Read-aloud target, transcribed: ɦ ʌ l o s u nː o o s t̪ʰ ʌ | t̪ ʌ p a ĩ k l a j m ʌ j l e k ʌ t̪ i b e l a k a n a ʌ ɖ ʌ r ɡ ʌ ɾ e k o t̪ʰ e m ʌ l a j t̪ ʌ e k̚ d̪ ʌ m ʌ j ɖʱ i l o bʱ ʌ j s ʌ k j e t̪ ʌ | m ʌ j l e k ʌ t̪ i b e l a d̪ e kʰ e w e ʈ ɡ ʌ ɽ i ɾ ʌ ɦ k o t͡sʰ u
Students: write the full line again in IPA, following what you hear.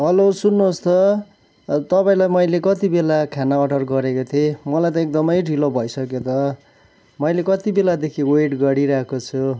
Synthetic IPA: ɦ ʌ l o s u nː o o s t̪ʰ ʌ | t̪ ʌ p a ĩ l a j m ʌ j l e k ʌ t̪ i b e l a kʰ a n a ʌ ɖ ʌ r ɡ ʌ ɾ e k o t̪ʰ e m ʌ l a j t̪ ʌ e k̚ d̪ ʌ m ʌ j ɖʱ i l o bʱ ʌ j s ʌ k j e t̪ ʌ | m ʌ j l e k ʌ t̪ i b e l a d̪ e kʰ i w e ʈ ɡ ʌ ɽ i ɾ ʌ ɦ k o t͡sʰ u

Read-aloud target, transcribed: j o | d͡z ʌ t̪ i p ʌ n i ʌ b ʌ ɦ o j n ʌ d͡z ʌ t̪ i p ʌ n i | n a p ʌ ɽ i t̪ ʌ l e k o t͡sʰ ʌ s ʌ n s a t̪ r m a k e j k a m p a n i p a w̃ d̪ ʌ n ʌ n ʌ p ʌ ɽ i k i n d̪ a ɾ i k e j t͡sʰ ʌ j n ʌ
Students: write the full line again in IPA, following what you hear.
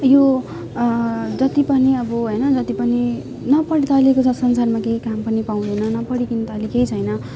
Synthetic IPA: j o | d͡z ʌ t̪ i p ʌ n i ʌ b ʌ ɦ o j n ʌ d͡z ʌ t̪ i p ʌ n i | n ʌ p ʌ ɽ i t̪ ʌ l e k o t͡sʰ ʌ s ʌ n s a r m a k e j k a m p ʌ n i p a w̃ d̪ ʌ n ʌ n ʌ p ʌ ɽ i k i n t̪ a l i k e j t͡sʰ ʌ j n ʌ

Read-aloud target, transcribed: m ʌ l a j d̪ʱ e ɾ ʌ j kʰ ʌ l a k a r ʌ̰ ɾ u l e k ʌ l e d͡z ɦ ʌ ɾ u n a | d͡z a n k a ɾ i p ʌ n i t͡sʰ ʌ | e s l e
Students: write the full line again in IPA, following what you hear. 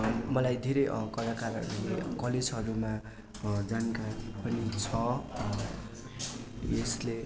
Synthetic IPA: m ʌ l a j d̪ʱ e ɾ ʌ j k ʌ l a k a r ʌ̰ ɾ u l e k ʌ l e d͡z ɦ ʌ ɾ u m a | d͡z a n k a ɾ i p ʌ n i t͡sʰ ʌ | e s l e

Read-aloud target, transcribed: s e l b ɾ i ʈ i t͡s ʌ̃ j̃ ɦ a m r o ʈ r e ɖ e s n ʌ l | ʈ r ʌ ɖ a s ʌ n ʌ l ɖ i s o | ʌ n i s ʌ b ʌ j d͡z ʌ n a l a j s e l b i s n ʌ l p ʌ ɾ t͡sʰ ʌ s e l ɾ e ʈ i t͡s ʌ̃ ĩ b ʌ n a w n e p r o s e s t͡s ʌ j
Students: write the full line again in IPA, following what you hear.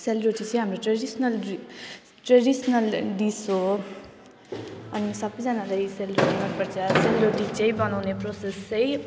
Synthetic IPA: s e l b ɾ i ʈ i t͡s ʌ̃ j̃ ɦ a m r o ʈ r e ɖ i s n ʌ l | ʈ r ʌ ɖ i s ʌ n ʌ l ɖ i s o | ʌ n i s ʌ b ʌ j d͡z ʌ n a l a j s e l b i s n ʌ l p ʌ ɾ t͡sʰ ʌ s e l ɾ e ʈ i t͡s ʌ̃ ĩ b ʌ n a w n e p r o s e s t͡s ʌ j

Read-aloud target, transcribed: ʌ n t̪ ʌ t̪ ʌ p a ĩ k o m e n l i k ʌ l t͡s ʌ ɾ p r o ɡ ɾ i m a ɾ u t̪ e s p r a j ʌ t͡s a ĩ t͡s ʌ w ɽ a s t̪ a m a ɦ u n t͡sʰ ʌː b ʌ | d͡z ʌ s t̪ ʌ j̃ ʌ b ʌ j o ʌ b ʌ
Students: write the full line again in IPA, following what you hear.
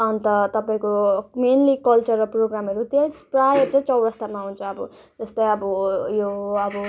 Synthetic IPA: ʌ n t̪ ʌ t̪ ʌ p a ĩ k o m e n l i k ʌ l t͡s ʌ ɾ p r o ɡ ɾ a m ʌ ɾ u t̪ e s p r a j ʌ t͡s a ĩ t͡s ʌ w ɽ ʌ s t̪ a m a ɦ u n t͡sʰ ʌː b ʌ | d͡z ʌ s t̪ ʌ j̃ ʌ b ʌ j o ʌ b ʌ

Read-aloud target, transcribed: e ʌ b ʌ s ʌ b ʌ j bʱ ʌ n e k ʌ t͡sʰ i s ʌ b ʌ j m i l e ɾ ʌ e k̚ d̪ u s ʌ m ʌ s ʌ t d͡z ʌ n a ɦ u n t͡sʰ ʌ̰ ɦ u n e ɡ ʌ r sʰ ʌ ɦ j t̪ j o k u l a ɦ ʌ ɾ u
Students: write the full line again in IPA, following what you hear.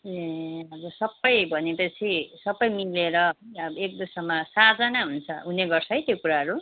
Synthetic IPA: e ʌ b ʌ s ʌ b ʌ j bʱ ʌ n e p ʌ t͡sʰ i s ʌ b ʌ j m i l e ɾ ʌ e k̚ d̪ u s ʌ m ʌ s a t d͡z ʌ n a ɦ u n t͡sʰ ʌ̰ ɦ u n e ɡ ʌ r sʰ ʌ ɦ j t̪ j o k u ɾ a ɦ ʌ ɾ u

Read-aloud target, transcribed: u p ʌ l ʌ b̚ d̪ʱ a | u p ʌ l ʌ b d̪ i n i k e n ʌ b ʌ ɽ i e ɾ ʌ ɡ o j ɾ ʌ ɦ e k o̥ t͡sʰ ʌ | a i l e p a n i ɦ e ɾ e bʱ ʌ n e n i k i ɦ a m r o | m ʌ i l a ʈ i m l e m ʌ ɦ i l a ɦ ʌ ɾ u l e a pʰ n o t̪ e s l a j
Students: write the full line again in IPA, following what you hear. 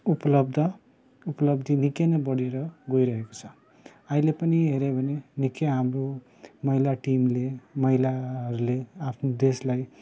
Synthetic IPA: u p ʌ l ʌ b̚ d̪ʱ ʌ | u p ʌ l ʌ b d̪ i n i k e n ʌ b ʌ ɽ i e ɾ ʌ ɡ o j ɾ ʌ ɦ e k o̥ t͡sʰ ʌ | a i l e p ʌ n i ɦ e ɾ e bʱ ʌ n e n i k e ɦ a m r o | m ʌ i l a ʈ i m l e m ʌ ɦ i l a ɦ ʌ ɾ u l e a pʰ n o d̪ e s l a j

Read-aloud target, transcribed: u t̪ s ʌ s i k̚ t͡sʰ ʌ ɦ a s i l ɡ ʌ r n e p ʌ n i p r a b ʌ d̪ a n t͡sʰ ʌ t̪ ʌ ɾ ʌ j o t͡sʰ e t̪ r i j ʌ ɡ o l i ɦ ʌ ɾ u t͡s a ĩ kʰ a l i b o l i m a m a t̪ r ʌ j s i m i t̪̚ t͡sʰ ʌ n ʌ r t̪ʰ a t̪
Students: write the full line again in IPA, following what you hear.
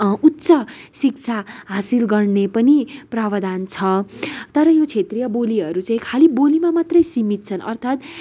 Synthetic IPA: u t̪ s ʌ s i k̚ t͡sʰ a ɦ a s i l ɡ ʌ r n e p ʌ n i p r a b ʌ d̪ a n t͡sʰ ʌ t̪ ʌ ɾ ʌ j o t͡sʰ e t̪ r i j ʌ b o l i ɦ ʌ ɾ u t͡s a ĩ kʰ a l i b o l i m a m a t̪ r ʌ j s i m i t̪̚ t͡sʰ ʌ n ʌ r t̪ʰ a t̪

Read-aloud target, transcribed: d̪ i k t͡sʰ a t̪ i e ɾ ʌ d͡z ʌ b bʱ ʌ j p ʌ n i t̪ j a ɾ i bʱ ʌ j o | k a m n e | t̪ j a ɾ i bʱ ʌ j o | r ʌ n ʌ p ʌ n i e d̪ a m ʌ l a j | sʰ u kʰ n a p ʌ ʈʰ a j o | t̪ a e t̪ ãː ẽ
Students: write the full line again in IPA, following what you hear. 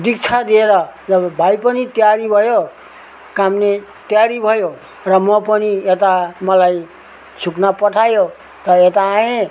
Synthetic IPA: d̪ i k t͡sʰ a d̪ i e ɾ ʌ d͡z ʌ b bʱ a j p ʌ n i t̪ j a ɾ i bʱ ʌ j o | k a m n e | t̪ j a ɾ i bʱ ʌ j o | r ʌ m ʌ p ʌ n i e t̪ a m ʌ l a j | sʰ u k n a p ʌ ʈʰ a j o | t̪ ʌ e t̪ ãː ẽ

